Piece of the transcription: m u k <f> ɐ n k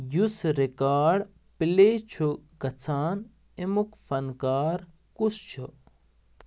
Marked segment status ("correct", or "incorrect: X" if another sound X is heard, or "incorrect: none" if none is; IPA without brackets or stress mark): correct